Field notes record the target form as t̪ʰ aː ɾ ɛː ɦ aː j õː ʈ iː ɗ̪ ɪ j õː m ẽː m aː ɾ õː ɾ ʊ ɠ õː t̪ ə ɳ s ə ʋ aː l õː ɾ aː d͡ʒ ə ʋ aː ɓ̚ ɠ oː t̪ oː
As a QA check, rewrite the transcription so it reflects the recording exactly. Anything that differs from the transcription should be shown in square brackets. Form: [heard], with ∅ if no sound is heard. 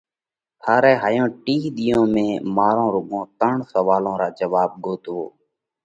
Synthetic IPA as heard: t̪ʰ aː ɾ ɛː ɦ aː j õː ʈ iː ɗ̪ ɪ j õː m ẽː m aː ɾ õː ɾ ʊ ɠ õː t̪ ə ɳ s ə ʋ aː l õː ɾ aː d͡ʒ ə ʋ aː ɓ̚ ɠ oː t̪ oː